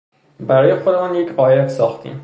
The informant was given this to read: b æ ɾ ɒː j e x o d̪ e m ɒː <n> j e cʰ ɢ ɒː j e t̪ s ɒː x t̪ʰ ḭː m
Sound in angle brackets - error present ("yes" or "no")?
no